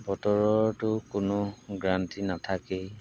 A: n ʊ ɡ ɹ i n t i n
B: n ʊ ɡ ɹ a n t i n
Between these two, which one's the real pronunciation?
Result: B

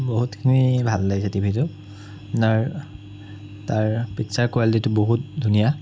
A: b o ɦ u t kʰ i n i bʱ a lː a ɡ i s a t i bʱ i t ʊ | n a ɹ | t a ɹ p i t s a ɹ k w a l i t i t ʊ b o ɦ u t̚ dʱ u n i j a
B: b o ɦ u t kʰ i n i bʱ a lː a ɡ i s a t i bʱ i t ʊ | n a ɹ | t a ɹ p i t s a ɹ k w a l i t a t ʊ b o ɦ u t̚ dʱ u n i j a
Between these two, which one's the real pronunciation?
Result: A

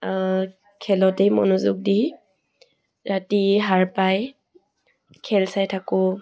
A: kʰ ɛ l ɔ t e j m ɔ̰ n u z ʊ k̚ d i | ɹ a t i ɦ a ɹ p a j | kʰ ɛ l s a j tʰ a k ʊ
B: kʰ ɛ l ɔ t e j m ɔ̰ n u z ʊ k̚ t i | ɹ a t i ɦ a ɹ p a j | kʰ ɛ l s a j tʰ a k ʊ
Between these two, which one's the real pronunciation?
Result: A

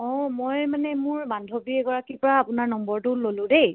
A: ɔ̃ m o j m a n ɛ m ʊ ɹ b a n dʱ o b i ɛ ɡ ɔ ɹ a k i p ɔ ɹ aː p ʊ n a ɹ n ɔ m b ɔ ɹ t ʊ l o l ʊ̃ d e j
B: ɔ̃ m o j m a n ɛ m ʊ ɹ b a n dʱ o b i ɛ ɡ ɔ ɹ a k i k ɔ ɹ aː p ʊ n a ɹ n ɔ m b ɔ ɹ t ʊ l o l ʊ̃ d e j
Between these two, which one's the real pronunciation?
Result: A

